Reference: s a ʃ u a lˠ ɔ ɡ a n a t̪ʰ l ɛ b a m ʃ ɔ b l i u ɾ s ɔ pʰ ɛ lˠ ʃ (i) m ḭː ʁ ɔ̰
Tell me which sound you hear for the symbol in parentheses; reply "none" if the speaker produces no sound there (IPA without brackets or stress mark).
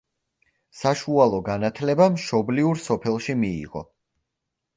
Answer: i